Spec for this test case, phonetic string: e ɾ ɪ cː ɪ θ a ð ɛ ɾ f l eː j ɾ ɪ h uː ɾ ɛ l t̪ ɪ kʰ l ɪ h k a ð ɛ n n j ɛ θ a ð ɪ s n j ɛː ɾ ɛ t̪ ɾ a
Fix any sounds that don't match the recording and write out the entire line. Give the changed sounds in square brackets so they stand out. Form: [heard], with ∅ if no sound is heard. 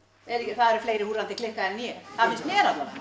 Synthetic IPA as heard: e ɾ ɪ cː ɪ θ a ð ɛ ɾ f l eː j ɾ ɪ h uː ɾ [a] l t̪ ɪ [k] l ɪ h k a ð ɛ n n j ɛ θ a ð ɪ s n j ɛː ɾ [a] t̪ [l] a